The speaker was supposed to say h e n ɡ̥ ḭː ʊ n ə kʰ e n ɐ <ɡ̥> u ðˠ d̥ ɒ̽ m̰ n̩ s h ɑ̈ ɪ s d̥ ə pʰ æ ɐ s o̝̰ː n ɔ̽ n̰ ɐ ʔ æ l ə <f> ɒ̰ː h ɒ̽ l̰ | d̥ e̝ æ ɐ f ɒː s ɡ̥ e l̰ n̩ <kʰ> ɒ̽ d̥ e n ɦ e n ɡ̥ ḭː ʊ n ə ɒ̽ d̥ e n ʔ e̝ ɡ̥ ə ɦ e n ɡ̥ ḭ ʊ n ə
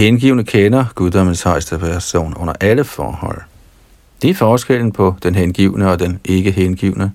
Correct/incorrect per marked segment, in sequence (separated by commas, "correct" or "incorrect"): correct, correct, incorrect